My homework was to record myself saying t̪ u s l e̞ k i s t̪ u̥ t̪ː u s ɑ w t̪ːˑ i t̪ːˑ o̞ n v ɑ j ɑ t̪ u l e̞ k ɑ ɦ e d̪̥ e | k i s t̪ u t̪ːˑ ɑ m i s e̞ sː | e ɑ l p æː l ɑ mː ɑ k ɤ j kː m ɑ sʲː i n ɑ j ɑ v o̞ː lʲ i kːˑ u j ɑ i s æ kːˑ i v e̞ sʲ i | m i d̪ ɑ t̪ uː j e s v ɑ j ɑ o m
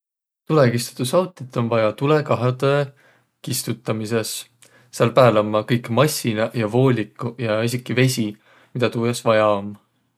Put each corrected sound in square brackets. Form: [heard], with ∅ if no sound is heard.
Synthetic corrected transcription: t̪ u [∅] l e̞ k i s t̪ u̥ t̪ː u s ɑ w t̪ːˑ i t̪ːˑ o̞ n v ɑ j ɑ t̪ u l e̞ k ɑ ɦ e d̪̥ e | k i s t̪ u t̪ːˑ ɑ m i s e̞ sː | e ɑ l p æː l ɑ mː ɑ k ɤ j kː m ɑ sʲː i n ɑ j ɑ v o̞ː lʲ i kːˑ u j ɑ i s [i] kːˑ i v e̞ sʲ i | m i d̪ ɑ t̪ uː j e s v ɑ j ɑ o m